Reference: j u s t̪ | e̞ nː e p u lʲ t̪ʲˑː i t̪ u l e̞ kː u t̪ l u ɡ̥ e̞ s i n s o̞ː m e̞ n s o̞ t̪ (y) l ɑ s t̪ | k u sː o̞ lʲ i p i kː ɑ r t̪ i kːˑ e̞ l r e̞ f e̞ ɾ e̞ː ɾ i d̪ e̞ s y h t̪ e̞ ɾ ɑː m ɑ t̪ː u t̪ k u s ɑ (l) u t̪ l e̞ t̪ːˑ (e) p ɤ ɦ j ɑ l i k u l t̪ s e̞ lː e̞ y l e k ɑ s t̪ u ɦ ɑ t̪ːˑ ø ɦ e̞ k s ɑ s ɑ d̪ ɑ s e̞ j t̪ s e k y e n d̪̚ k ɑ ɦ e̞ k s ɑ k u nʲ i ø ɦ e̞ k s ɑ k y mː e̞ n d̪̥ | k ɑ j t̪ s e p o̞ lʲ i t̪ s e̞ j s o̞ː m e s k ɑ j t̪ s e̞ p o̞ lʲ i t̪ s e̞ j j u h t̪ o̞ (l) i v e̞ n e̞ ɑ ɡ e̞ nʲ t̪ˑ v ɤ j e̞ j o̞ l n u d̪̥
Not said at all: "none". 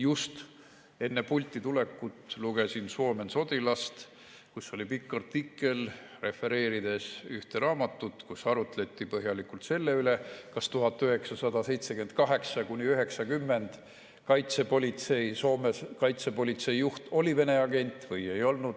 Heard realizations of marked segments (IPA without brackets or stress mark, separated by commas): i, ɾ, i, l